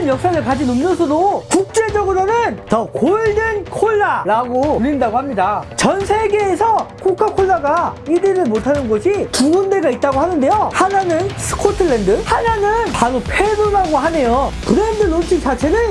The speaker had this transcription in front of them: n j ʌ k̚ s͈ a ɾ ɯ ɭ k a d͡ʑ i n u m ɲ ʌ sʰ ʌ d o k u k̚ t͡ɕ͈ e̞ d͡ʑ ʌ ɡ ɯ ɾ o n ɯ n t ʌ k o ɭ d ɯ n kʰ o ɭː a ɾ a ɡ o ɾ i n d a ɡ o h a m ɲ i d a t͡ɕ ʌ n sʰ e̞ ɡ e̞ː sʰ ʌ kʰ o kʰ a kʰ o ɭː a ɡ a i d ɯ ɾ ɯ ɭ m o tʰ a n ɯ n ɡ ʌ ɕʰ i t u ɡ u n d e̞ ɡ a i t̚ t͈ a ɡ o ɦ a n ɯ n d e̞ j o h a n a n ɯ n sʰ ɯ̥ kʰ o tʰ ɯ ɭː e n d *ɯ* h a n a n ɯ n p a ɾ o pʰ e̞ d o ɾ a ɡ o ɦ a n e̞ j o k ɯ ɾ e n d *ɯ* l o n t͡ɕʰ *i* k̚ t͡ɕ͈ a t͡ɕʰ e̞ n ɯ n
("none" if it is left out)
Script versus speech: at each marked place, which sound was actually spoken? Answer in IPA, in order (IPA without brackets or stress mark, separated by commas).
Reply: ɯ, ɯ, i